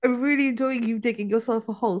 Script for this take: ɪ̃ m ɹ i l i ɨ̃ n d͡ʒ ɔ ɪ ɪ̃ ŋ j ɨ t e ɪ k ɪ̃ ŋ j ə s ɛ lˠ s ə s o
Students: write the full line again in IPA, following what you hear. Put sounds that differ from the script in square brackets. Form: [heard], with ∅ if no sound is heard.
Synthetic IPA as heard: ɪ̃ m ɹ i l i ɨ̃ n d͡ʒ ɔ ɪ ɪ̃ ŋ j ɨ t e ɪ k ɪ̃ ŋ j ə s ɛ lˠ [f] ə [h] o